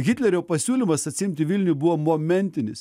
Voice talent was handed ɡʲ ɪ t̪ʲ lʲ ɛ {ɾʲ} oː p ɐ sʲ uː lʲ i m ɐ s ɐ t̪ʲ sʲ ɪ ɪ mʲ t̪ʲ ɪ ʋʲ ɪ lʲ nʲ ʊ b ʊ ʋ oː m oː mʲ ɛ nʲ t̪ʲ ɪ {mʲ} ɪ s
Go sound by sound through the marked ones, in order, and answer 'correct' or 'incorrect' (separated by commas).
correct, incorrect